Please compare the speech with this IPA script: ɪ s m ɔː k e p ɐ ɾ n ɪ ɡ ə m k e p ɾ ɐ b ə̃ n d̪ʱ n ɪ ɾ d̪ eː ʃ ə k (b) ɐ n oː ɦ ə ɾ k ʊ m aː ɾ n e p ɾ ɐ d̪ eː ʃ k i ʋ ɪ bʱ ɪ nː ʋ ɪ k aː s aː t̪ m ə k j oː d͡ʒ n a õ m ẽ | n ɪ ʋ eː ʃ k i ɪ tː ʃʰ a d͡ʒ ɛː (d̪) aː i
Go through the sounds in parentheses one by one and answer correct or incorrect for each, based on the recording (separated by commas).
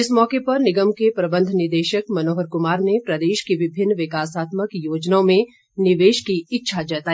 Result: incorrect, incorrect